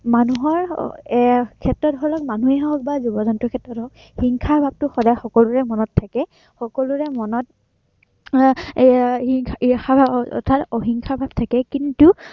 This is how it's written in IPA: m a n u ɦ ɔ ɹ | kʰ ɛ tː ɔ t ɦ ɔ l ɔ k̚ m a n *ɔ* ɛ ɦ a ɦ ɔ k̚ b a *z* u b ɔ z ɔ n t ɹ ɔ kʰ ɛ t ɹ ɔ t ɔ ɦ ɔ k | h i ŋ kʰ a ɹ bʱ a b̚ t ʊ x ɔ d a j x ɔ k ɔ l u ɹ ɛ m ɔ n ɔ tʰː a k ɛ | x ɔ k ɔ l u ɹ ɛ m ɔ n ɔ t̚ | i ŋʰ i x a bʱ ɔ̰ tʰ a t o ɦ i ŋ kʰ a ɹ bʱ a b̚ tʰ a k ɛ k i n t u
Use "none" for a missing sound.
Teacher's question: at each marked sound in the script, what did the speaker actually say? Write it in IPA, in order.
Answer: u, z

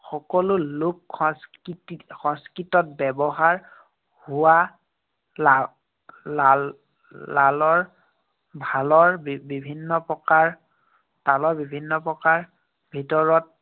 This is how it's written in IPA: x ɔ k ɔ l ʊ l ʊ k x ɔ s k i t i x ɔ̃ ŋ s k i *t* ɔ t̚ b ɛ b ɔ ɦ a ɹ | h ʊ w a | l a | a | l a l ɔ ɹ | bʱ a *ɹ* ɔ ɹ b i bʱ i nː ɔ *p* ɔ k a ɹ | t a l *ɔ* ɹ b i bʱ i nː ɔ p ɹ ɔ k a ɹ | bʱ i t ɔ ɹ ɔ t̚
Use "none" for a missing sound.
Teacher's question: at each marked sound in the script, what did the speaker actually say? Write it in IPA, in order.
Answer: t, l, p, ɔ

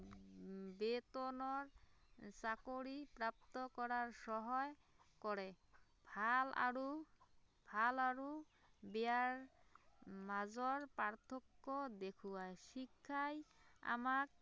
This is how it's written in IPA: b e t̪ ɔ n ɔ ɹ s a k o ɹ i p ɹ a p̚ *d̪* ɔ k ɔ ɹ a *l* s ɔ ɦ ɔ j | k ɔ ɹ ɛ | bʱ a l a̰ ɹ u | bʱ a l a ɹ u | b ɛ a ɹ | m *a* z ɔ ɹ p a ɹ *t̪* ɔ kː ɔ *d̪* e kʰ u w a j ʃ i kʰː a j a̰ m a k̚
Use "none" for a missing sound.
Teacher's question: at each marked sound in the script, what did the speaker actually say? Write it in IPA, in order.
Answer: t̪, ɹ, a, t̪ʰ, d̪

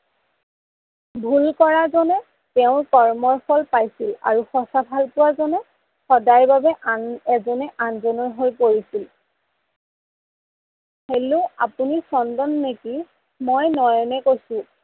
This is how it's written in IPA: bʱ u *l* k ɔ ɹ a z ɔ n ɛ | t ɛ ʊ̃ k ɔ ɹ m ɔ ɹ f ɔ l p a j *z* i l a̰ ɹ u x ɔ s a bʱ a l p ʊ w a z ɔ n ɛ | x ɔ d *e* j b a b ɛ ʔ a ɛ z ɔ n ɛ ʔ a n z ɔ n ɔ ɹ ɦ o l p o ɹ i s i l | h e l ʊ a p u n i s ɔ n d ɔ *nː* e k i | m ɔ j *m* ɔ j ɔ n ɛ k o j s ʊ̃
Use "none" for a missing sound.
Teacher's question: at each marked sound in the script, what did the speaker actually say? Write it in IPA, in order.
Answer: l, s, a, nː, n

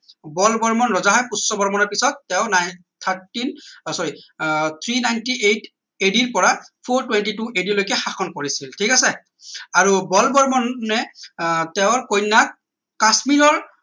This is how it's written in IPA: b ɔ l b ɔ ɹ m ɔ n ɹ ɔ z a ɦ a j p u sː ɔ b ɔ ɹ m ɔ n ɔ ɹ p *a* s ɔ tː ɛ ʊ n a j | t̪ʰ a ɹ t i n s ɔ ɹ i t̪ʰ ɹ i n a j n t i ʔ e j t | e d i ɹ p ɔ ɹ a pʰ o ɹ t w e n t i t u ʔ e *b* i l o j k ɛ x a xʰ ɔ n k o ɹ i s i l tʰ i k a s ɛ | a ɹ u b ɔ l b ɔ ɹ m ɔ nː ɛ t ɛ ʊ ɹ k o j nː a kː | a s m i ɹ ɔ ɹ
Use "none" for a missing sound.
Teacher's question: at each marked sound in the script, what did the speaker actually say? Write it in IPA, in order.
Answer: i, d

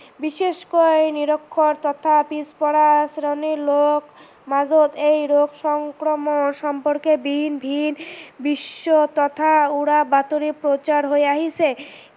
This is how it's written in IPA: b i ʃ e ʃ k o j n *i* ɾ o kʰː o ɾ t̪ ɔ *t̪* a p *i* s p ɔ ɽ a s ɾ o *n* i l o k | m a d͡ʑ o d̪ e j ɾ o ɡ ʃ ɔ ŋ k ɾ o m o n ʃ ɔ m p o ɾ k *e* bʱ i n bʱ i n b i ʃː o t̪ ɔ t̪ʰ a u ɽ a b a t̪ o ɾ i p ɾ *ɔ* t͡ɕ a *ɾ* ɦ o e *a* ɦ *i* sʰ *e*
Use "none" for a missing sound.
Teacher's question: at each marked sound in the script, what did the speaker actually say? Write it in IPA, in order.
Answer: i, t̪ʰ, i, n, e, o, ɾ, a, i, e

